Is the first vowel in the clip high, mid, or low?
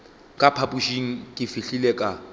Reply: low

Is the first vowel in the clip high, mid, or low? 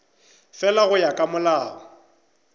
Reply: mid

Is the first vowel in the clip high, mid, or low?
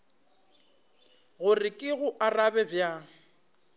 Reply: high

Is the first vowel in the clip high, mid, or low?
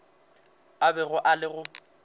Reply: low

